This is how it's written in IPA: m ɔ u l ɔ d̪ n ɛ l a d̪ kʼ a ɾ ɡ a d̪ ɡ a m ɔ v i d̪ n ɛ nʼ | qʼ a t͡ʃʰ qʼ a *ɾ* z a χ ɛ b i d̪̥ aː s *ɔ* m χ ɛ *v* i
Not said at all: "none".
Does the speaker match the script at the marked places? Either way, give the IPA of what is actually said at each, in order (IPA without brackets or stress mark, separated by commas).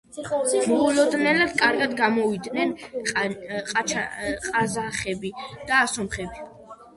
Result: none, ɔ, b